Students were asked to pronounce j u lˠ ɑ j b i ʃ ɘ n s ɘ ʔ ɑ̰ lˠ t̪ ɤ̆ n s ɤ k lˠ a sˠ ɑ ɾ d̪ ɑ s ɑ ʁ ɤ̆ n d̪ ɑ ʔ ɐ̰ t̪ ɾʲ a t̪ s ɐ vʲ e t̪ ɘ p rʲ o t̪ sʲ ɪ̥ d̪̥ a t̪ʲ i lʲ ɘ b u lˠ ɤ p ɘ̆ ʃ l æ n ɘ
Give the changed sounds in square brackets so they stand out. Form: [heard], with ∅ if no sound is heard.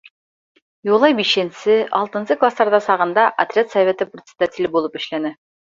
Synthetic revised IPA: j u lˠ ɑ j b i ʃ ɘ n s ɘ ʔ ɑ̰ lˠ t̪ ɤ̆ n s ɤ k lˠ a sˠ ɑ ɾ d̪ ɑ s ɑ ʁ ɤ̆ n d̪ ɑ ʔ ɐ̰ t̪ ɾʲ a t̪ s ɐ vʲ e t̪ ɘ p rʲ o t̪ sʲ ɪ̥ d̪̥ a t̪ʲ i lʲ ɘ b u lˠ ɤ p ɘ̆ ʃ l æ n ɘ